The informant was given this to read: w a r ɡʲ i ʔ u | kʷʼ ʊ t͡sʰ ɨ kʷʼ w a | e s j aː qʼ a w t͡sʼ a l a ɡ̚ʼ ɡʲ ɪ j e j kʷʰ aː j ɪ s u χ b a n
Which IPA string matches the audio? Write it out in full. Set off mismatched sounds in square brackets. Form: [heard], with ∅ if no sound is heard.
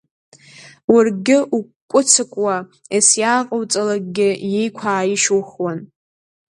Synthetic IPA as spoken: w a r ɡʲ [ɪ] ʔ u | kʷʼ ʊ t͡sʰ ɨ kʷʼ w a | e s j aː qʼ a w t͡sʼ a l a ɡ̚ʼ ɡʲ ɪ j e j kʷʰ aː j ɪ [ʃ] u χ [w] a n

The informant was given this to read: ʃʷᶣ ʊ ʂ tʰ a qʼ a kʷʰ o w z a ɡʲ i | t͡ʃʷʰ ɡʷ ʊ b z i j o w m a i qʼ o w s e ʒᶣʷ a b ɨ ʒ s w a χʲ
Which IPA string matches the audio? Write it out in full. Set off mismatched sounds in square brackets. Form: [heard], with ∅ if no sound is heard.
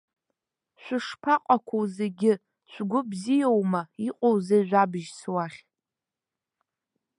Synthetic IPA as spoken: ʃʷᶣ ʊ ʂ [pʰ] a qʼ a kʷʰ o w z [e] ɡʲ [ɪ] | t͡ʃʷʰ ɡʷ ʊ b z i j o w m a i qʼ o w [z] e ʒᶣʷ a b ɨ ʒ s w a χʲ

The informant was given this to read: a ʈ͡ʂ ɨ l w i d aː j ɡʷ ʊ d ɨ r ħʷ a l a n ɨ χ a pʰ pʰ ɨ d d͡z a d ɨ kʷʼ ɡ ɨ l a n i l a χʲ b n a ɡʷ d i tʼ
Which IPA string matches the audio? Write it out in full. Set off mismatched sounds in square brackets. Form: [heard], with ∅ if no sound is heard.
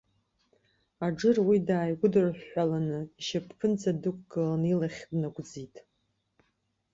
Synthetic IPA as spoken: a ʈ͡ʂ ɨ [r] w i d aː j ɡʷ ʊ d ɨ r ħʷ a l a n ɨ [ʃ] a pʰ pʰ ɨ [n] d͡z a d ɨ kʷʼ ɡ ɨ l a n i l a χʲ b n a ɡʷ [d͡z] i tʼ

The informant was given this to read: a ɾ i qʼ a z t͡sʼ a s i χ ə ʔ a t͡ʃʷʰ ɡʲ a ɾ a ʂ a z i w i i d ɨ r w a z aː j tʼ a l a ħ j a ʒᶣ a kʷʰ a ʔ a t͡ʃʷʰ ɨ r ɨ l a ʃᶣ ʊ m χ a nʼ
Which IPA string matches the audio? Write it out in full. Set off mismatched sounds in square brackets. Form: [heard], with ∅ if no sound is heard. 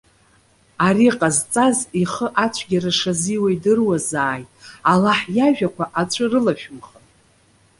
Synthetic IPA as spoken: a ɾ i qʼ a z t͡sʼ a [z] i χ ə ʔ a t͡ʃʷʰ ɡʲ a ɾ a ʂ a z i w [a] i d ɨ r w a z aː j tʼ a l a ħ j a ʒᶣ a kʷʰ a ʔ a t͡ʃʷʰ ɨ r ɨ l a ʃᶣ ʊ m χ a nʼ

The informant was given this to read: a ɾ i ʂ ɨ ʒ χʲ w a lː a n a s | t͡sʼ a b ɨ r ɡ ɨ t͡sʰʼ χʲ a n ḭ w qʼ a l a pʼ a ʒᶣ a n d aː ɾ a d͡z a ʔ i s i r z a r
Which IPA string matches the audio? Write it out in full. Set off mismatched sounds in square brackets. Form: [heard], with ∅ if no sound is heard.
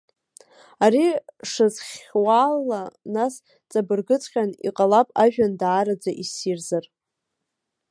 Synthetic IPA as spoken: a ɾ i ʂ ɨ [z] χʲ w a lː a n a s | t͡sʼ a b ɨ r ɡ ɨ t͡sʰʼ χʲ a n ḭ [∅] qʼ a l a pʼ a ʒᶣ a n d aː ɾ a d͡z a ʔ i s i r z a r

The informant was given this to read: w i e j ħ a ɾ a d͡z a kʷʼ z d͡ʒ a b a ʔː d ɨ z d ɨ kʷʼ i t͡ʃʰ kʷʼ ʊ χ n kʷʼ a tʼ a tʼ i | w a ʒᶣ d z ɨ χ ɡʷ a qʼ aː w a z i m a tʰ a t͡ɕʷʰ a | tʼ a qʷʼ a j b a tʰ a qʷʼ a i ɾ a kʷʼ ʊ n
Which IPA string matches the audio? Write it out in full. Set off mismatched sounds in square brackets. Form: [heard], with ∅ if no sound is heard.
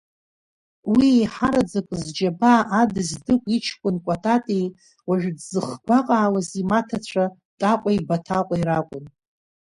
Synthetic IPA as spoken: w i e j ħ a ɾ a d͡z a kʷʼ z d͡ʒ a b a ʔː d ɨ z d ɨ kʷʼ i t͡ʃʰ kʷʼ ʊ [∅] n kʷʼ a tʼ a tʼ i | w a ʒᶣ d z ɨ χ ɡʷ a qʼ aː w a z i m a tʰ a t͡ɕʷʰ a | tʼ a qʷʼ a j b a tʰ a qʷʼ a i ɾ a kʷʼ ʊ n

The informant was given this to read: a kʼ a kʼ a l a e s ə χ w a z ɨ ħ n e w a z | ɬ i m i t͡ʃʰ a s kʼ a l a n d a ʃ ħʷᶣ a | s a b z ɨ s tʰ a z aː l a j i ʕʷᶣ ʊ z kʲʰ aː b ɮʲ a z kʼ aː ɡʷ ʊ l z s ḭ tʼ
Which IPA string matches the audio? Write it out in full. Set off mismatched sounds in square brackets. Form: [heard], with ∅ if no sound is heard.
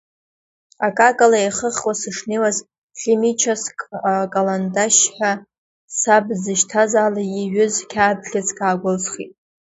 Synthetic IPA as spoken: a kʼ a kʼ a l a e [χ] ə χ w a [s] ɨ [ʂ] n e w a z | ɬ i m i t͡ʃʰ a s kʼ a l a n d a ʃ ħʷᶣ a | s a b z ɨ [ʃ] tʰ a z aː l a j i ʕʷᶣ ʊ z kʲʰ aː b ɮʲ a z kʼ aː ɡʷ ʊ l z [χ] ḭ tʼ

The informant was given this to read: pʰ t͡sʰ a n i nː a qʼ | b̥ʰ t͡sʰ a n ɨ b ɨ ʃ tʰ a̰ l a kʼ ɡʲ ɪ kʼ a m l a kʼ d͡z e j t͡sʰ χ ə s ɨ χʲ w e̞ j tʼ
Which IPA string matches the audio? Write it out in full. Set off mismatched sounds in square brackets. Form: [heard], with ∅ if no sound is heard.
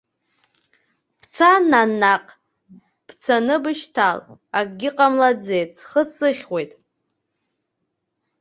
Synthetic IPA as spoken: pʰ t͡sʰ a n [a] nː a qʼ | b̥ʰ t͡sʰ a n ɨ b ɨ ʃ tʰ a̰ l a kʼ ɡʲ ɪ [qʼ] a m l a [∅] d͡z e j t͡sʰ χ ə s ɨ χʲ w e̞ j tʼ

